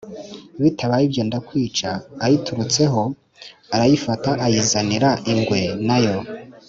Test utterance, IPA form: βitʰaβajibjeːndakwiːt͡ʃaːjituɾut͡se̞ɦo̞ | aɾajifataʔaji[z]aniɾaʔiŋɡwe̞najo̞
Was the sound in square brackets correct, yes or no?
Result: yes